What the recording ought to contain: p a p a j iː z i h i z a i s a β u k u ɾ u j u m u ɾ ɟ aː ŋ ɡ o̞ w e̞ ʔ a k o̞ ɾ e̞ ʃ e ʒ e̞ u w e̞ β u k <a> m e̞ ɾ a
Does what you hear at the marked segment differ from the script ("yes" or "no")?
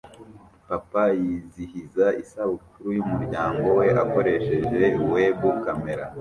no